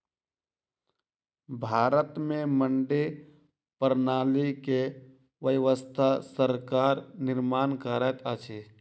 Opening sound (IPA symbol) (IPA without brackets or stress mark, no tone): bʱ